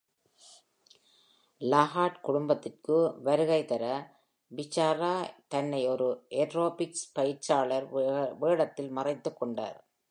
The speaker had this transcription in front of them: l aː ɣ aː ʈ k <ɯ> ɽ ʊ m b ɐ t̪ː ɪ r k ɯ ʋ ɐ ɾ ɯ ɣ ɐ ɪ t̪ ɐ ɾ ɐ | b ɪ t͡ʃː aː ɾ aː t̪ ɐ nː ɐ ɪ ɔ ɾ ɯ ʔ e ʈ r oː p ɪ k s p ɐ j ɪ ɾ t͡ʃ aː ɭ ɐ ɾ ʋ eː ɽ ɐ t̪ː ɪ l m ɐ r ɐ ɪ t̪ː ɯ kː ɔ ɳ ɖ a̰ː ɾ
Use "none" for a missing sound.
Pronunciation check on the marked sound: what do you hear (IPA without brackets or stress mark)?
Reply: ʊ